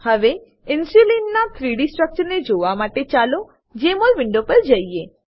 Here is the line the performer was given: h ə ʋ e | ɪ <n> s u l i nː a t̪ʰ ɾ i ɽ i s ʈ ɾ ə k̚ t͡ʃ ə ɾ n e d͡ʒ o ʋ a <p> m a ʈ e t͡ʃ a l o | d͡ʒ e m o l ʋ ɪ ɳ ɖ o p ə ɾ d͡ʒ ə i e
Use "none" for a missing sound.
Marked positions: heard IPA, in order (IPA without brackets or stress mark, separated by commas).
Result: n, none